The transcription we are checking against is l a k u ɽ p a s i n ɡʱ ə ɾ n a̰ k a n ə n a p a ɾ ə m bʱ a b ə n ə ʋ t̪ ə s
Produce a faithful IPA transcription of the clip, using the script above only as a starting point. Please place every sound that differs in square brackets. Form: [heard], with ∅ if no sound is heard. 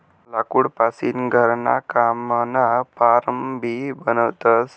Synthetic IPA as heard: l a k u ɽ p a s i n ɡʱ ə ɾ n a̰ k a [m] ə n a p a ɾ ə m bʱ [i] b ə n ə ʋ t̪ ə s